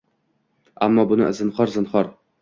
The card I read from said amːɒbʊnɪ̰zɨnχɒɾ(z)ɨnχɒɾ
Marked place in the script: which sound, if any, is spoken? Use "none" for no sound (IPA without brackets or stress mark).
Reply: z